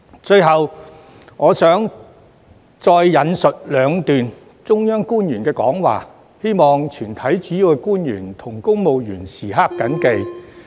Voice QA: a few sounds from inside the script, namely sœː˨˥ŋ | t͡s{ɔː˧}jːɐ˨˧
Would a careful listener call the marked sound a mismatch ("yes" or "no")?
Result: no